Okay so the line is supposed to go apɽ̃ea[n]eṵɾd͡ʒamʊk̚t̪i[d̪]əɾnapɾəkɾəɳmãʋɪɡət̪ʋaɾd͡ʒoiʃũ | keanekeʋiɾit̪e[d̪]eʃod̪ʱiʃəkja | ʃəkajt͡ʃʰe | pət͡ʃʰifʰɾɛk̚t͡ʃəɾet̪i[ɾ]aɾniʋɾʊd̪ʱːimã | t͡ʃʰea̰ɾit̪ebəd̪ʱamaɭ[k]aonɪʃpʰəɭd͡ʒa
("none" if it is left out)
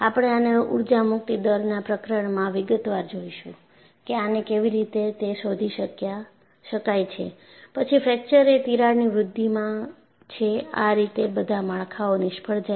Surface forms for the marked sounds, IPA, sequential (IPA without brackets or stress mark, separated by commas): n, d̪, t̪, ɾ, kʰ